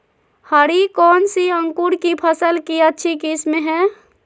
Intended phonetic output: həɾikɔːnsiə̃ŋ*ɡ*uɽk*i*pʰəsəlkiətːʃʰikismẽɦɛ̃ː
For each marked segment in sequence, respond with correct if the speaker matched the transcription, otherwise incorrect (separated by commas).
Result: incorrect, correct